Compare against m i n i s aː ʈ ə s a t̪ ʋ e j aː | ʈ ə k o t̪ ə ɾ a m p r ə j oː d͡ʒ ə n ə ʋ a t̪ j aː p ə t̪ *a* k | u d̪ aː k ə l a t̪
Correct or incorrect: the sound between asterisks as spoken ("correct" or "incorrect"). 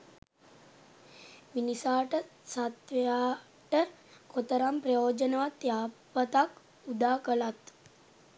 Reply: correct